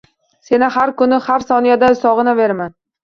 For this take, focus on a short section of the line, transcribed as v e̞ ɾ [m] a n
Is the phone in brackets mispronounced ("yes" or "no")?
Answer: no